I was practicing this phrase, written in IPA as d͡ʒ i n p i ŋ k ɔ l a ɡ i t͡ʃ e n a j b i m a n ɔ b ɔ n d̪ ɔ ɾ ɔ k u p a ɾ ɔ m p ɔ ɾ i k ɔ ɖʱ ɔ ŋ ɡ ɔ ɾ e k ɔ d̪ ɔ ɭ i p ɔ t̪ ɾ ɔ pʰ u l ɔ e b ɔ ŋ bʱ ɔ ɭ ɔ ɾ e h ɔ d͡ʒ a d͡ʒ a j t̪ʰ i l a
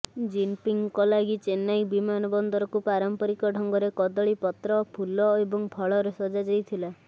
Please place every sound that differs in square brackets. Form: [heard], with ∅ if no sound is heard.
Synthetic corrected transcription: d͡ʒ i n p i ŋ k ɔ l a ɡ i t͡ʃ e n a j b i m a n ɔ b ɔ n d̪ ɔ ɾ ɔ k u p a ɾ ɔ m p ɔ ɾ i k ɔ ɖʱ ɔ ŋ ɡ ɔ ɾ e k ɔ d̪ ɔ ɭ i p ɔ t̪ ɾ ɔ pʰ u l ɔ e b ɔ ŋ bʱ ɔ ɭ ɔ ɾ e [s] ɔ d͡ʒ a d͡ʒ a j t̪ʰ i l a